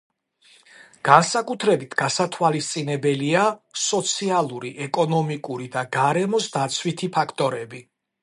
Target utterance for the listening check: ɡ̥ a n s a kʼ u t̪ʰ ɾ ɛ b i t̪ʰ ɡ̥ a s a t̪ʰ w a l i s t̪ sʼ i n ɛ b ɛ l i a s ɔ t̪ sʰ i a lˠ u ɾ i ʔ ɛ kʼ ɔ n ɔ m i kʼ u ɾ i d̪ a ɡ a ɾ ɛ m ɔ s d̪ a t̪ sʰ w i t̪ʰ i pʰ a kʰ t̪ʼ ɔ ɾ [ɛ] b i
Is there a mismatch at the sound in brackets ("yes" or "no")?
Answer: no